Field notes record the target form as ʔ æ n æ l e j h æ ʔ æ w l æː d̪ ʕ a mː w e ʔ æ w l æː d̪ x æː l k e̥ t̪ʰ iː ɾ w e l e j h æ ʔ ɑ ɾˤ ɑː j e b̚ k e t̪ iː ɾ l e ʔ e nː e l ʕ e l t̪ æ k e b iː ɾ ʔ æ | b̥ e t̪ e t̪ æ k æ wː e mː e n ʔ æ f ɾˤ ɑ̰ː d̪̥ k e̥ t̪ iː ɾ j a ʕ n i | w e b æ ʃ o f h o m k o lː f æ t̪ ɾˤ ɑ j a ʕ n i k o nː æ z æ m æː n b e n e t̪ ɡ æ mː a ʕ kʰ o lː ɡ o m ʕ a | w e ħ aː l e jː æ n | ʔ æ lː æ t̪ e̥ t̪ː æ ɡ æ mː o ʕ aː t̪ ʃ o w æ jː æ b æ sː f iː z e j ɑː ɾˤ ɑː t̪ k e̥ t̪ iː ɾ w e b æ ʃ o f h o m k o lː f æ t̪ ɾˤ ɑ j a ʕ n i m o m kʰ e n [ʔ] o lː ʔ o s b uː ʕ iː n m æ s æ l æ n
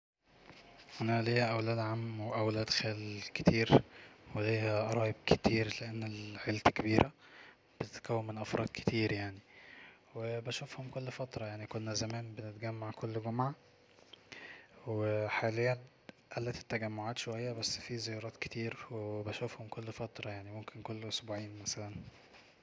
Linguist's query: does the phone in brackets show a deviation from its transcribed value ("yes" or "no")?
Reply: yes